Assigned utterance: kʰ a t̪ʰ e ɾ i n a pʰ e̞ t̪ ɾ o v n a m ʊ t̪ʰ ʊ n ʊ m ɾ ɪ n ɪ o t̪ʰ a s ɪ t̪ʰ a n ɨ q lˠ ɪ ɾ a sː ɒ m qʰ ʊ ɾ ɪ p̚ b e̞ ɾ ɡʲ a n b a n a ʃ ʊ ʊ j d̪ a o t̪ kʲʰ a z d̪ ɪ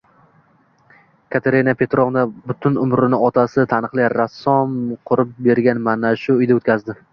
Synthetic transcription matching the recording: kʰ a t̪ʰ e ɾ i n a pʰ e̞ t̪ ɾ o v n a b ʊ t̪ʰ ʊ n ʊ m ɾ ɪ n ɪ ɒ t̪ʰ a s ɪ t̪ʰ a n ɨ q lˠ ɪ ɾ a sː ɒ m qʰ ʊ ɾ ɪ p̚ b e̞ ɾ ɡʲ a n m a n a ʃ ʊ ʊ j d̪ a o t̪ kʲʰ a z d̪ ɪ